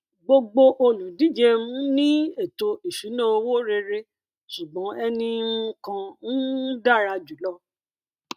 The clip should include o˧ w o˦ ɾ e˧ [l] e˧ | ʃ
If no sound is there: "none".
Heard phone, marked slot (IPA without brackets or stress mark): ɾ